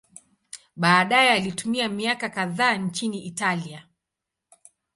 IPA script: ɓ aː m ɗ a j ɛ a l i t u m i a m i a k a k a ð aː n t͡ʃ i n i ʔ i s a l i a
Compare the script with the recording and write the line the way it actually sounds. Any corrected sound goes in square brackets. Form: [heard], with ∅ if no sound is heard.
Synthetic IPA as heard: ɓ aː [∅] ɗ a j ɛ a l i t u m i a m i a k a k a ð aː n t͡ʃ i n i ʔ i [t] a l i a